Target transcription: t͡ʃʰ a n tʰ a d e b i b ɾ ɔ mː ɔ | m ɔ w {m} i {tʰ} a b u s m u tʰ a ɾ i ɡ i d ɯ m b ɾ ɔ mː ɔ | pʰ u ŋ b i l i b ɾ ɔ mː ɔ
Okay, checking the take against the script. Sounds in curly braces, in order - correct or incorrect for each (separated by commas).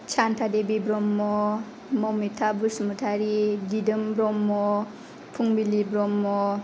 correct, correct